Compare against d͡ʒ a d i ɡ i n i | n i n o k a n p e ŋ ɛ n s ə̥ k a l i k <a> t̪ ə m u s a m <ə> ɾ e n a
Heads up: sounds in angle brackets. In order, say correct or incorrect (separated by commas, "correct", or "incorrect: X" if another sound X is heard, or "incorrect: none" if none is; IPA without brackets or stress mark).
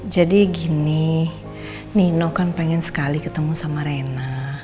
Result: incorrect: ə, incorrect: a